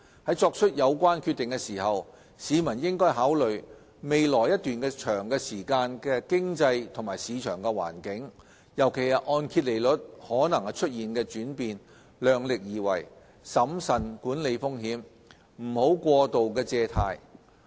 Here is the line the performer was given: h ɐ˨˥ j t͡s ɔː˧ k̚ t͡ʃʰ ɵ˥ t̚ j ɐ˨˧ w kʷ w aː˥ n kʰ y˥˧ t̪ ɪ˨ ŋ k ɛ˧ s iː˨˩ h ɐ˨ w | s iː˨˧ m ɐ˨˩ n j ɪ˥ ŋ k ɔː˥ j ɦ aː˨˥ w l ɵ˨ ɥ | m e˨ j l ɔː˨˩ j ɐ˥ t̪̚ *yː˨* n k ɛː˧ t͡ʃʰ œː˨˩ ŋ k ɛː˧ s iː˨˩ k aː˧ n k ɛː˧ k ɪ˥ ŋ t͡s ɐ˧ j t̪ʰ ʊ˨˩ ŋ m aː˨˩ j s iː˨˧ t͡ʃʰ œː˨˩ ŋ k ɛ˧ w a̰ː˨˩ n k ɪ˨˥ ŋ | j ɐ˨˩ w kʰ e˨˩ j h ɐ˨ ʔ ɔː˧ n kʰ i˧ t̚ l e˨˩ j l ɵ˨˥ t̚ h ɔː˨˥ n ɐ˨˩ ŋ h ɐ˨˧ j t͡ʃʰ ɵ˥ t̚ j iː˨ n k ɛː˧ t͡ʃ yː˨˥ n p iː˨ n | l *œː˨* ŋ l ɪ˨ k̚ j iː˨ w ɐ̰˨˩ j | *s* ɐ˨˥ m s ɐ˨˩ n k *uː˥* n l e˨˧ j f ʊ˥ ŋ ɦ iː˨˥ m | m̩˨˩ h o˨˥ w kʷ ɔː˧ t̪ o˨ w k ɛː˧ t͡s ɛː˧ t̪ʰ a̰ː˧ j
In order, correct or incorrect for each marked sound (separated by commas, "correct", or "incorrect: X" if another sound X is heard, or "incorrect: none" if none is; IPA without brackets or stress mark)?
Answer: correct, correct, correct, incorrect: uː˨˥